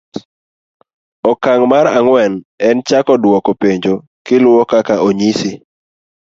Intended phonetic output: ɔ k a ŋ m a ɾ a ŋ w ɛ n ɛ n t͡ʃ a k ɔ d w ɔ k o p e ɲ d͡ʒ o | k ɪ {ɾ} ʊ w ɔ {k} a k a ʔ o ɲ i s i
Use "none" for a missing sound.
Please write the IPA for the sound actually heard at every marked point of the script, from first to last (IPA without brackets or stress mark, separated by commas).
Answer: l, k